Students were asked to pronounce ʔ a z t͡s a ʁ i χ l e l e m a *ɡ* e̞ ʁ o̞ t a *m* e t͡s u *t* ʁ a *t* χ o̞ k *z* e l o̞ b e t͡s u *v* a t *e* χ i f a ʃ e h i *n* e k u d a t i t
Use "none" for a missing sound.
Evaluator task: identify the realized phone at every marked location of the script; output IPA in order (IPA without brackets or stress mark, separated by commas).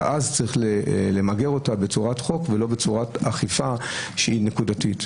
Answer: ɡ, b, none, t, v, ʁ, a, n